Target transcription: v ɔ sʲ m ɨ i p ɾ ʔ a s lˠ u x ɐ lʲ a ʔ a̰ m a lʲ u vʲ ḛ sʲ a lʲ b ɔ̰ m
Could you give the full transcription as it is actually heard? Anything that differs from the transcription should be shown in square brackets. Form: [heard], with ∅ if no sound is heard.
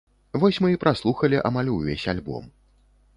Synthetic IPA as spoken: v ɔ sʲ m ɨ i p ɾ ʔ a s lˠ u x ɐ lʲ [i] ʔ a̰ m a lʲ u vʲ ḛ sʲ a lʲ b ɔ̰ m

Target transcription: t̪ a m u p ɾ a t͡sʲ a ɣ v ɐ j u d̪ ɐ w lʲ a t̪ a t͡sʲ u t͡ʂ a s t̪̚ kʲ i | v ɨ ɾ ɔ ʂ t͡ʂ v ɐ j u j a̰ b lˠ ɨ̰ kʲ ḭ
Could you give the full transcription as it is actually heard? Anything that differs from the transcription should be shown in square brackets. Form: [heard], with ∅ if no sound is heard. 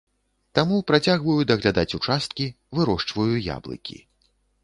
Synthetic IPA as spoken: t̪ a m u p ɾ a t͡sʲ a ɣ v ɐ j u d̪ ɐ [ɣ] lʲ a [d̪] a t͡sʲ u t͡ʂ a s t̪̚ kʲ i | v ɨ ɾ ɔ ʂ t͡ʂ v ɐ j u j a̰ b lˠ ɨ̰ kʲ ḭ

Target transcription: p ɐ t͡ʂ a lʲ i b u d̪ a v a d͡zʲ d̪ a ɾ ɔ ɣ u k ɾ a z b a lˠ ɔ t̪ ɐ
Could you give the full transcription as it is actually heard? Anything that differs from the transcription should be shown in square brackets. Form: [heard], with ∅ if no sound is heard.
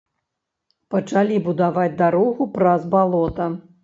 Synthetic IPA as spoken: p ɐ t͡ʂ a lʲ i b u d̪ a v a d͡zʲ d̪ a ɾ ɔ ɣ u [p] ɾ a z b a lˠ ɔ t̪ ɐ

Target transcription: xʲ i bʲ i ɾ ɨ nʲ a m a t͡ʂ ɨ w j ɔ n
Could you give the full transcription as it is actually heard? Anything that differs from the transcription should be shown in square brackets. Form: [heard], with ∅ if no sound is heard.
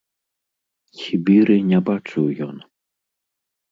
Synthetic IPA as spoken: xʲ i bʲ i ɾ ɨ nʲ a [b] a t͡ʂ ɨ w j ɔ n

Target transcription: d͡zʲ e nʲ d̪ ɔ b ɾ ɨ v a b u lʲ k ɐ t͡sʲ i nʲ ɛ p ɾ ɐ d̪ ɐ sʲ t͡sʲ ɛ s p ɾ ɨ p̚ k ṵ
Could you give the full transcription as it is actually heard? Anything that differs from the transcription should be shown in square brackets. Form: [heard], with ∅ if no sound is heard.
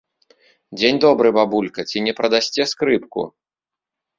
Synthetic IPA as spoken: d͡zʲ e nʲ d̪ ɔ b ɾ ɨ [b] a b u lʲ k ɐ t͡sʲ i nʲ ɛ p ɾ ɐ d̪ [a] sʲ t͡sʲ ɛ s [k] ɾ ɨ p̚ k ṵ

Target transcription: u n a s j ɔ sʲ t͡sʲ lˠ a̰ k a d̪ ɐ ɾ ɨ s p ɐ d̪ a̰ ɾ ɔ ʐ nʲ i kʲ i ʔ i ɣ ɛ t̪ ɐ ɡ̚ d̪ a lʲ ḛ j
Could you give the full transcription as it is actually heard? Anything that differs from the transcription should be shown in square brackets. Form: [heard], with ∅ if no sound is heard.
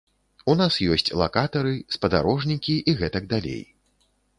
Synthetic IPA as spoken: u n a s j ɔ sʲ t͡sʲ lˠ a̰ k a [t̪] ɐ ɾ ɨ s p ɐ d̪ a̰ ɾ ɔ ʐ nʲ i kʲ i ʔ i ɣ ɛ t̪ ɐ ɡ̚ d̪ a lʲ ḛ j

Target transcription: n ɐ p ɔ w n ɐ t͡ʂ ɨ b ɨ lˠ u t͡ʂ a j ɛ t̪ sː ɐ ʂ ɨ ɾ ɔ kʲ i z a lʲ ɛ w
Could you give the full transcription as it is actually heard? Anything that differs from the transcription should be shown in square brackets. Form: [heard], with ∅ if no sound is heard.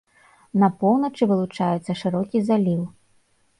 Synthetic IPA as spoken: n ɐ p ɔ w n ɐ t͡ʂ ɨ [v] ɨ lˠ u t͡ʂ a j ɛ t̪ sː ɐ ʂ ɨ ɾ ɔ kʲ i z a lʲ [i] w

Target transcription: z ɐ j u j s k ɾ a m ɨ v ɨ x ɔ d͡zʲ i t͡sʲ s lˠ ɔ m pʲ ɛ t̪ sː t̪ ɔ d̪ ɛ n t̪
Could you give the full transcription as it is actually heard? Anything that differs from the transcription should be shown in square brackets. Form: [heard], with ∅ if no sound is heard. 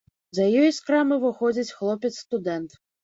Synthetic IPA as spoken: z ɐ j [ɔ] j s k ɾ a m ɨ v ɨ x ɔ d͡zʲ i t͡sʲ [x] lˠ ɔ [∅] pʲ ɛ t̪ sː t̪ [u] d̪ ɛ n t̪

